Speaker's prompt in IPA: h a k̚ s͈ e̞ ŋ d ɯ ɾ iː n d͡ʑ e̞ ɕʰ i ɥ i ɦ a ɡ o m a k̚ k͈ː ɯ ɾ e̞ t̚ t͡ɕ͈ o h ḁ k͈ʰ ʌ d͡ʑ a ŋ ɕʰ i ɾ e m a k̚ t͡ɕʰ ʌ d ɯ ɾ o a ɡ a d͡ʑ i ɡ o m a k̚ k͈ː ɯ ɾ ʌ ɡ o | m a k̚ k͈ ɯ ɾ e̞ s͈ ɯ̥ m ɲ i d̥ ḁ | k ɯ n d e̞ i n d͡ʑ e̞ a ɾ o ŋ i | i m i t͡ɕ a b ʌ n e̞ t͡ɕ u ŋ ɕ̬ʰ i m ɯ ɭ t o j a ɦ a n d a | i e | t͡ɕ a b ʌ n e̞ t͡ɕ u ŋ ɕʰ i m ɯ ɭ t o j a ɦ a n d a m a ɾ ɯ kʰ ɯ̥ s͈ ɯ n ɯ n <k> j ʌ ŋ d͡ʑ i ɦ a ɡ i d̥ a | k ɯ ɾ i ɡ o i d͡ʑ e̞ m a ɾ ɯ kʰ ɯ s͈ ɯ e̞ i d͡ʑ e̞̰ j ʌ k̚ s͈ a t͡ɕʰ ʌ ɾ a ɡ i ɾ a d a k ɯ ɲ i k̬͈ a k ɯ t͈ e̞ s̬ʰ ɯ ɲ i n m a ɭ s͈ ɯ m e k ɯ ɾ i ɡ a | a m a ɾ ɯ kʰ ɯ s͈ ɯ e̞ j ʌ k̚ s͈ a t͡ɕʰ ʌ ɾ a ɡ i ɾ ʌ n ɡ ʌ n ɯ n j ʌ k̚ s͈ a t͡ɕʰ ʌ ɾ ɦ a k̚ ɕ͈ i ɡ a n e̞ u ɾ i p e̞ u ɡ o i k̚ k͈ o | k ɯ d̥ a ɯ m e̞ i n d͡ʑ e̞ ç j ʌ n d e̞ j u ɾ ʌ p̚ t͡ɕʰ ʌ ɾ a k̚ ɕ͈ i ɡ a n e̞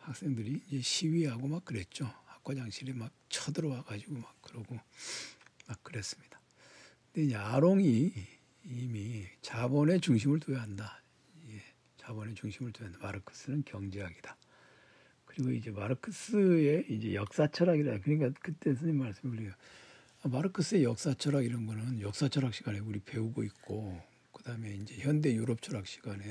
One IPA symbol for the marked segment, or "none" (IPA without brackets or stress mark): k